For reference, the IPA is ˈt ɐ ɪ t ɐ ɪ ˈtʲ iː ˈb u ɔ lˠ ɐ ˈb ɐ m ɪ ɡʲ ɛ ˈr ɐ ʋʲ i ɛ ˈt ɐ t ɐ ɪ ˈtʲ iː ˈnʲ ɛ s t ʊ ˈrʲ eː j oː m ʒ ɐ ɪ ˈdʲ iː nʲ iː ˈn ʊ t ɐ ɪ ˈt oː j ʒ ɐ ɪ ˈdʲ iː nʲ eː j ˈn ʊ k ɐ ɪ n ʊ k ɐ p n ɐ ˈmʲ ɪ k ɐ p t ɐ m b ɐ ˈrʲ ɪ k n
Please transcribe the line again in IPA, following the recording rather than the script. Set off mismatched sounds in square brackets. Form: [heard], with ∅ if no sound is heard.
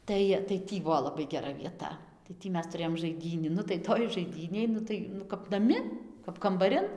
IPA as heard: ˈt ɐ ɪ t ɐ ɪ ˈtʲ iː ˈb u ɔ lˠ ɐ ˈb ɐ [∅] ɪ ɡʲ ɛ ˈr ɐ ʋʲ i ɛ ˈt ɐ t ɐ ɪ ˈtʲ iː [ˈmʲ] ɛ s t ʊ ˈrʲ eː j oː m ʒ ɐ ɪ ˈdʲ iː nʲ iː ˈn ʊ t ɐ ɪ ˈt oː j ʒ ɐ ɪ ˈdʲ iː nʲ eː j ˈn ʊ [t] ɐ ɪ n ʊ k ɐ p n ɐ ˈmʲ ɪ k ɐ p [k] ɐ m b ɐ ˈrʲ ɪ [∅] n

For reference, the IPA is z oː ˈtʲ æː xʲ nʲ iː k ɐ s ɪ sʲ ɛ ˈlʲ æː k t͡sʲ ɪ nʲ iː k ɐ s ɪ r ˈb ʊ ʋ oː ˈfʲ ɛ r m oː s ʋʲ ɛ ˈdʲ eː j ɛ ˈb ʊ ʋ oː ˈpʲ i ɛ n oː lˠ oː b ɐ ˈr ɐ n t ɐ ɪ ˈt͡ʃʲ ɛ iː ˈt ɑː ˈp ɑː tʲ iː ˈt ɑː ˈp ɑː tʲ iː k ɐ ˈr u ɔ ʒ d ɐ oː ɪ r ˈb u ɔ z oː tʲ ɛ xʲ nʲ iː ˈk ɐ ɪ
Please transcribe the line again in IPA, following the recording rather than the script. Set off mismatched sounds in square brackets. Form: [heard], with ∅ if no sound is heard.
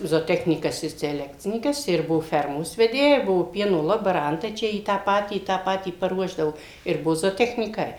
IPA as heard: z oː ˈtʲ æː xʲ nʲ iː k ɐ s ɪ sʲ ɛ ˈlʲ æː k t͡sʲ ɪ nʲ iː k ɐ s ɪ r ˈb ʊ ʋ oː ˈfʲ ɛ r m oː s ʋʲ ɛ ˈdʲ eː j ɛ ˈb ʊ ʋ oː ˈpʲ i ɛ n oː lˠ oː b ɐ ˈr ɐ n t ɐ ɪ ˈt͡ʃʲ ɛ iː ˈt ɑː ˈp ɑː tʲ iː ˈt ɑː ˈp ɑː tʲ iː [p] ɐ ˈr u ɔ ʒ d ɐ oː ɪ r ˈb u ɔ z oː tʲ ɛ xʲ nʲ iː ˈk ɐ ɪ

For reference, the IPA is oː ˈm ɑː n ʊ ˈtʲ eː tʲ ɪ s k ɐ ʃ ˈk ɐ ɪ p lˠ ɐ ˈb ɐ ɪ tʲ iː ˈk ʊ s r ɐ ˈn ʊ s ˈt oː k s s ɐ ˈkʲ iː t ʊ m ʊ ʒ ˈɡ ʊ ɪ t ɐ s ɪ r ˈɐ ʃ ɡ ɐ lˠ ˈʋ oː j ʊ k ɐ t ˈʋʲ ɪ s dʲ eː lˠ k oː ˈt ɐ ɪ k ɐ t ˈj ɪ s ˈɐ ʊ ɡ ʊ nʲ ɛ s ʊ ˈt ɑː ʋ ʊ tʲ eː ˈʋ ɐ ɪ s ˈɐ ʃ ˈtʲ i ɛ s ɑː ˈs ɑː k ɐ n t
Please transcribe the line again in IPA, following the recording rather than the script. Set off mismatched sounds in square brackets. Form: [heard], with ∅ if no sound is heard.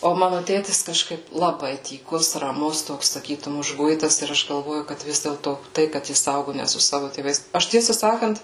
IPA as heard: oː ˈm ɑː n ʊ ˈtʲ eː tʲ ɪ s k ɐ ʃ ˈk ɐ ɪ p lˠ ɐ ˈb ɐ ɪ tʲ iː ˈk ʊ s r ɐ [ˈm] ʊ s ˈt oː k s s ɐ ˈkʲ iː t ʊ m ʊ ʒ ˈɡ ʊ ɪ t ɐ s ɪ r ˈɐ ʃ ɡ ɐ lˠ ˈʋ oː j ʊ k ɐ t ˈʋʲ ɪ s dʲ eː lˠ [t] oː ˈt ɐ ɪ k ɐ t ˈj ɪ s ˈɐ ʊ ɡ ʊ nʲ ɛ s ʊ [ˈs] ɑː ʋ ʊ tʲ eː ˈʋ ɐ ɪ s ˈɐ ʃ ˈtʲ i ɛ s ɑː ˈs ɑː k ɐ n t

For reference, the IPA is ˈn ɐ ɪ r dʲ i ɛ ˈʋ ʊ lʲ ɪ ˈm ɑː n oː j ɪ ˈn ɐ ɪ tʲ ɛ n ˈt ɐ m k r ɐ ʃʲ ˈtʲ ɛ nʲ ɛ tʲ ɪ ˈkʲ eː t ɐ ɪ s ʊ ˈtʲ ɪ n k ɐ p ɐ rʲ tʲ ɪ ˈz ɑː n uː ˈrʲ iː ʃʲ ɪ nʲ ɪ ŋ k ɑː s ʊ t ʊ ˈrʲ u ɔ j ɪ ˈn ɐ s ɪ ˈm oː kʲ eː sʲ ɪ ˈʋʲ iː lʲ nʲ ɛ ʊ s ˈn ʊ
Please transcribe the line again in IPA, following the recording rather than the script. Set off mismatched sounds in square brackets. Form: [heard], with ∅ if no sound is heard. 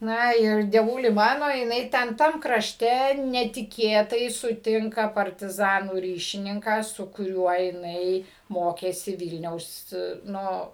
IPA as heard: ˈn ɐ ɪ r dʲ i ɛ ˈʋ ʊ lʲ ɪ ˈm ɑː n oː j ɪ ˈn ɐ ɪ tʲ ɛ n ˈt ɐ m k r ɐ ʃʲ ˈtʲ ɛ nʲ ɛ tʲ ɪ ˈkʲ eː t ɐ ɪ s ʊ ˈtʲ ɪ [ŋ] k ɐ p ɐ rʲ tʲ ɪ ˈz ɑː n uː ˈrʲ iː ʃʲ ɪ nʲ ɪ ŋ k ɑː s ʊ [k] ʊ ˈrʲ u ɔ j ɪ ˈn ɐ [∅] ɪ ˈm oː kʲ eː sʲ ɪ ˈʋʲ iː lʲ nʲ ɛ ʊ s ˈn ʊ

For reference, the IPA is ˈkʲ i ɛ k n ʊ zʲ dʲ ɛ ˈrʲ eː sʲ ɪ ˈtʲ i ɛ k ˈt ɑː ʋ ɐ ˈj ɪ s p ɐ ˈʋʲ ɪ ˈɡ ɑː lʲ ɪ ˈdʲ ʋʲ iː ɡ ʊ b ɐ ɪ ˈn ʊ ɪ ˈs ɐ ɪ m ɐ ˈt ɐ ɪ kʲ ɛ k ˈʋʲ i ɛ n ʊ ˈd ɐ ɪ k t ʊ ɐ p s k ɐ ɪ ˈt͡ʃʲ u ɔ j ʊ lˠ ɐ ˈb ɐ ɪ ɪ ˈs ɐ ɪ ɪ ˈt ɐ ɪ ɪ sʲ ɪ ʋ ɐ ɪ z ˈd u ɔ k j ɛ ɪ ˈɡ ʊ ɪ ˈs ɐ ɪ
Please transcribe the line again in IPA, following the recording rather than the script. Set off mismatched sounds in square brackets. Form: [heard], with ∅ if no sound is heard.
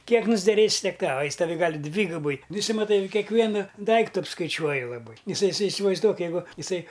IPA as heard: ˈkʲ i ɛ k n ʊ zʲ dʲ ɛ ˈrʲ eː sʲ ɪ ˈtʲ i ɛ k ˈt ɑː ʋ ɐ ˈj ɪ s [t] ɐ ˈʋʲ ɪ ˈɡ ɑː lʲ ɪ ˈdʲ ʋʲ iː ɡ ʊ b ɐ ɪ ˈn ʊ ɪ ˈs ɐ ɪ m ɐ ˈt ɐ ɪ kʲ ɛ k ˈʋʲ i ɛ n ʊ ˈd ɐ ɪ k t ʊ ɐ p s k ɐ ɪ ˈt͡ʃʲ u ɔ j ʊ lˠ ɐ ˈb ɐ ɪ ɪ ˈs ɐ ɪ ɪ [ˈs] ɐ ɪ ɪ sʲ ɪ ʋ ɐ ɪ z ˈd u ɔ k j ɛ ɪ ˈɡ ʊ ɪ ˈs ɐ ɪ

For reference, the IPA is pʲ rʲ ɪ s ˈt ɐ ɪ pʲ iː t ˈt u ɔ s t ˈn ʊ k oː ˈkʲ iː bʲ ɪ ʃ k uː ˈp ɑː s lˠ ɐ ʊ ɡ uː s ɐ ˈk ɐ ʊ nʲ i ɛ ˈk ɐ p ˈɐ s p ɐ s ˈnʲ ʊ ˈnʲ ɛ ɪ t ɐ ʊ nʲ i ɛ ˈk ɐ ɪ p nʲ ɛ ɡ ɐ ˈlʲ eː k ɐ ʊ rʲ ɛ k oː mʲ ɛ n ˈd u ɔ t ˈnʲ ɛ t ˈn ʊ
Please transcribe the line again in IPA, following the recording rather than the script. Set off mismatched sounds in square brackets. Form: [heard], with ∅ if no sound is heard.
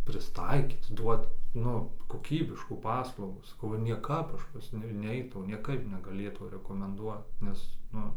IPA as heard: pʲ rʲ ɪ s ˈt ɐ ɪ [kʲ] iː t [ˈd] u ɔ [∅] t ˈn ʊ k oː ˈkʲ iː bʲ ɪ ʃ k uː ˈp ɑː s lˠ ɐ ʊ ɡ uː s ɐ ˈk ɐ ʊ nʲ i ɛ ˈk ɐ p ˈɐ [ʃ] p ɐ s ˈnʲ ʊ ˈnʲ ɛ ɪ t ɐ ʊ nʲ i ɛ ˈk ɐ ɪ p nʲ ɛ ɡ ɐ ˈlʲ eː [t] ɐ ʊ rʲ ɛ k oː mʲ ɛ n ˈd u ɔ t ˈnʲ ɛ [s] ˈn ʊ

